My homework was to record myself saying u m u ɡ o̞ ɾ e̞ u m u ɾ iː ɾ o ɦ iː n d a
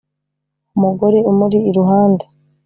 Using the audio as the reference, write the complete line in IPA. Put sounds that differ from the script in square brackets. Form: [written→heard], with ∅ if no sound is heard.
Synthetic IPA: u m u ɡ o̞ ɾ e̞ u m u ɾ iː ɾ [o→u] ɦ [iː→aː] n d a

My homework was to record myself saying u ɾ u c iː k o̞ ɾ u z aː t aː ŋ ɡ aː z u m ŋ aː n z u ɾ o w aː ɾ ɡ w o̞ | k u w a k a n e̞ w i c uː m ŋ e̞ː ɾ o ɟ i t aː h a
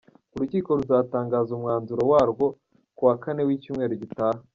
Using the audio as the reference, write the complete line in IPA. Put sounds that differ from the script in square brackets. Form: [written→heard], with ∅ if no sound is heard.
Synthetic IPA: u ɾ u c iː k o̞ ɾ u z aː t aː ŋ ɡ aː z u m ŋ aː n z u ɾ o w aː ɾ ɡ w o̞ | k u w a k a n e̞ w i c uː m ŋ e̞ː ɾ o ɟ i t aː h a

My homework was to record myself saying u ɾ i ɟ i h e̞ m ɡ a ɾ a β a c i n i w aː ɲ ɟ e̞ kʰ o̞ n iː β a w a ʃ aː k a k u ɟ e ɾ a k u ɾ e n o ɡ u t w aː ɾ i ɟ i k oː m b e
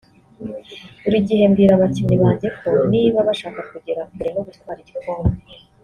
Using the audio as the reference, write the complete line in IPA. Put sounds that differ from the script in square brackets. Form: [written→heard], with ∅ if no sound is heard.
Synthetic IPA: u ɾ i ɟ i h e̞ m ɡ [a→i] ɾ a β a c i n i [w→β] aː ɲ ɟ e̞ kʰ o̞ n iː β a [w→β] a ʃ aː k a k u ɟ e ɾ a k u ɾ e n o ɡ u t w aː ɾ i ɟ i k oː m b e

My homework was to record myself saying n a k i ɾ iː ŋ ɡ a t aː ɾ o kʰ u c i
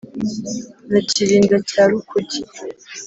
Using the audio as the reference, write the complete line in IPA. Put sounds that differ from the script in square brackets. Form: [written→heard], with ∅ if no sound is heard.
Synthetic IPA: n a [k→c] i ɾ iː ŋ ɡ a [t→c] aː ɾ [o→u] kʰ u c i

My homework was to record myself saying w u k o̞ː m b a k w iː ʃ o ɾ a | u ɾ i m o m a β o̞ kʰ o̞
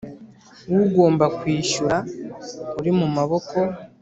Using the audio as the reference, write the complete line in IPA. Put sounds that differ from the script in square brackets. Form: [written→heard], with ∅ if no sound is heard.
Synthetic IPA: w u [k→ɡ] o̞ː m b a k w iː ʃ [o→u] ɾ a | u ɾ i m [o→u] m a β o̞ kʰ o̞

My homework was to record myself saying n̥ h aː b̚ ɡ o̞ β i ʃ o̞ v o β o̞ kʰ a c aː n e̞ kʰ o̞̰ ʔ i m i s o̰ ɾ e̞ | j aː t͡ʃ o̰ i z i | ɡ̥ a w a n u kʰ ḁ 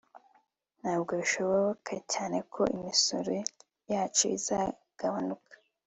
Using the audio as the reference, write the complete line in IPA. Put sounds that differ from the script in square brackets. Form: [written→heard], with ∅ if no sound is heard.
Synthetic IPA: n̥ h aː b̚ ɡ o̞ β i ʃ o̞ [v→β] o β o̞ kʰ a c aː n e̞ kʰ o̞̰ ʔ i m i s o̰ ɾ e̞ | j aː t͡ʃ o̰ i z [i→a] | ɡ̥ a [w→β] a n u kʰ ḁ

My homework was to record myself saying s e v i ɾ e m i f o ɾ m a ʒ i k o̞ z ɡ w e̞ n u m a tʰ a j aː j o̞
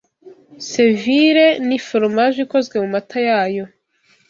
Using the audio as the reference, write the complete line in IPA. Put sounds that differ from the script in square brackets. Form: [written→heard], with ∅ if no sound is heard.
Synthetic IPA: s e v i ɾ e [m→n] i f o ɾ m a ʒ i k o̞ z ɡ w e̞ [n→m] u m a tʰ a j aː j o̞

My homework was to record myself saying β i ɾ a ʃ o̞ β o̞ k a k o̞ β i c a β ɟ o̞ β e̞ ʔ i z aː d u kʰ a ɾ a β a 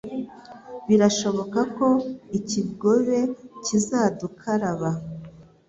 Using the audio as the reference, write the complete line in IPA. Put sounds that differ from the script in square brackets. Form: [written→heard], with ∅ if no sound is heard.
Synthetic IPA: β i ɾ a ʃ o̞ β o̞ k a k o̞ [β→∅] i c [a→i] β [ɟ→ɡ] o̞ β e̞ [ʔ→c] i z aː d u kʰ a ɾ a β a

